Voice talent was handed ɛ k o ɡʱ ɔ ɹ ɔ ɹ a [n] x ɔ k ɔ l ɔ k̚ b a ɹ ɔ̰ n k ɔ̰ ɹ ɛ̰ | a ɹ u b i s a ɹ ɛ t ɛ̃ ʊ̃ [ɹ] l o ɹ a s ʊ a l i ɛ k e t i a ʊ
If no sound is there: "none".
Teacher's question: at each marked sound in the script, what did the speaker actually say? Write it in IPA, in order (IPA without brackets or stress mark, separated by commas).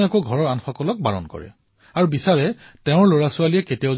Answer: n, ɹ